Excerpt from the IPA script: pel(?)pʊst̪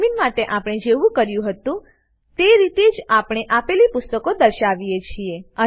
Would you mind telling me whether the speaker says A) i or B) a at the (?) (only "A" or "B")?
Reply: A